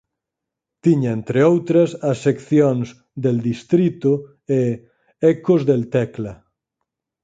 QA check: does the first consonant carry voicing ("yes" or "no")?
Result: no